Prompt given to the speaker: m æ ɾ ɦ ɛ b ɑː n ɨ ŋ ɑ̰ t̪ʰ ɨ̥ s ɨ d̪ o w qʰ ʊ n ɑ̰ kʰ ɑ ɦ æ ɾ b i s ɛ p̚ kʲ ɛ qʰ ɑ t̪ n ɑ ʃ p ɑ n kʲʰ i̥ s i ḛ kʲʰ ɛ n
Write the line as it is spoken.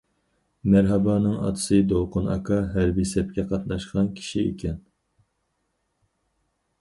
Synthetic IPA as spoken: m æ ɾ ɦ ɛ b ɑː n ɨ ŋ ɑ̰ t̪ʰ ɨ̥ s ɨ d̪ o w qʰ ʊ n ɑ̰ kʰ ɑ ɦ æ ɾ b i s ɛ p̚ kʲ ɛ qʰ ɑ t̪ n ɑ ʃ q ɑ n kʲʰ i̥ ʃ i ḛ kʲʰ ɛ n

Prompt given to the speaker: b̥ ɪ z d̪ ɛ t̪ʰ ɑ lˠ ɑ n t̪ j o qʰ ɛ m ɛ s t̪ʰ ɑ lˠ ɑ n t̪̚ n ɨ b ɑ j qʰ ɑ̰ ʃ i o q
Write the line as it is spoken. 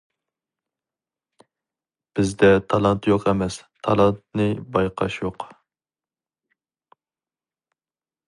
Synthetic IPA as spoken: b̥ ɪ z d̪ ɛ t̪ʰ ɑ lˠ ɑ n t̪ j o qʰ ɛ m ɛ s t̪ʰ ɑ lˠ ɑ n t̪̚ n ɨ b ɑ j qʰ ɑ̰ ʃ j o q

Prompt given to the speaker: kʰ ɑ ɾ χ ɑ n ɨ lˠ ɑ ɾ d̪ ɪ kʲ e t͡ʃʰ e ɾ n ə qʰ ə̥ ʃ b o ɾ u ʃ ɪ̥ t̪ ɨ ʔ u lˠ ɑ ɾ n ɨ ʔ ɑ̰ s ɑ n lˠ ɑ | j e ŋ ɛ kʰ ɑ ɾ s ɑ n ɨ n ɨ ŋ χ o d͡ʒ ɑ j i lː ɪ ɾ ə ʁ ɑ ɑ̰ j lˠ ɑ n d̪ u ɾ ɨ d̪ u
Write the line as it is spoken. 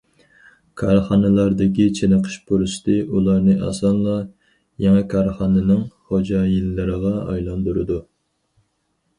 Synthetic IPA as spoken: kʰ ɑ ɾ χ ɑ n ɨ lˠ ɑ ɾ d̪ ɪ kʲ i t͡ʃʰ e n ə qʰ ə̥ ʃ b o ɾ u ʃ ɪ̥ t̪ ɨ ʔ u lˠ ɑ ɾ n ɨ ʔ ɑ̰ s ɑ n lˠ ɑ | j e ŋ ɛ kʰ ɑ ɾ χ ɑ n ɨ n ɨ ŋ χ o d͡ʒ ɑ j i lː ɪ ɾ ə ʁ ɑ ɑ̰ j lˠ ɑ n d̪ u ɾ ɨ d̪ u

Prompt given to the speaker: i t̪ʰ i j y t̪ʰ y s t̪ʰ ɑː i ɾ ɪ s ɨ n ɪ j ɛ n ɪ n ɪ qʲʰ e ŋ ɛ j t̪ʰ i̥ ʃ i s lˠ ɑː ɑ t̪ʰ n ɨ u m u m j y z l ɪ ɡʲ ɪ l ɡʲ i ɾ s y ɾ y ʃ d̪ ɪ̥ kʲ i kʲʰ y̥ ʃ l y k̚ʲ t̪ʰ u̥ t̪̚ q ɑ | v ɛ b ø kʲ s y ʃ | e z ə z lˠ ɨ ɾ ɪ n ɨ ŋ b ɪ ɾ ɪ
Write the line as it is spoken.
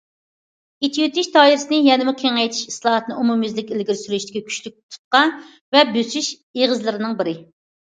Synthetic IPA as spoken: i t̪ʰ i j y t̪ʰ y ʃ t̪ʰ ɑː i ɾ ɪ s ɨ n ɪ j ɛ n ɪ m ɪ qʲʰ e ŋ ɛ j t̪ʰ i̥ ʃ i s lˠ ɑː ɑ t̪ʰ n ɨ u m u m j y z l ɪ kʲ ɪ l ɡʲ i ɾ s y ɾ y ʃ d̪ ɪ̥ kʲ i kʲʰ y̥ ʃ l y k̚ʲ t̪ʰ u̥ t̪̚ q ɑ | v ɛ b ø s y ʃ | e ʁ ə z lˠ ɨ ɾ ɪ n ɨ ŋ b ɪ ɾ ɪ

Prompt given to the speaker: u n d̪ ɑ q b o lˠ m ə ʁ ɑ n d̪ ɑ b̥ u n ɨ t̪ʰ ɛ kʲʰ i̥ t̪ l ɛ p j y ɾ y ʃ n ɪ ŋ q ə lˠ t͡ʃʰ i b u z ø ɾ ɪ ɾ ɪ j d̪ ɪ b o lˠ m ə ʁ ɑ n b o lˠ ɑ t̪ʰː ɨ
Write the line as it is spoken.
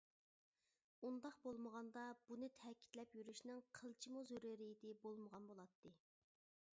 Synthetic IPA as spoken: u n d̪ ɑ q b o lˠ m ə ʁ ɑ n d̪ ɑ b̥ u n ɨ t̪ʰ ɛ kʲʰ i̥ t̪ l ɛ p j y ɾ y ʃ n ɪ ŋ qʰ ə lˠ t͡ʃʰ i m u z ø ɾ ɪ ɾ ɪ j d̪ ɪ b o lˠ m ə ʁ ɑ n b o lˠ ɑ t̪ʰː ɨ

